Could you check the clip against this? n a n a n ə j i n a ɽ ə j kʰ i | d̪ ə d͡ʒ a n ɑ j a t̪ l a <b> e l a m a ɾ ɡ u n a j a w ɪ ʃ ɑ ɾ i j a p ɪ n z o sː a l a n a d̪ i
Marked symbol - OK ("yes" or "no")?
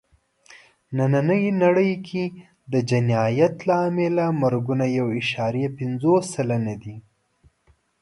no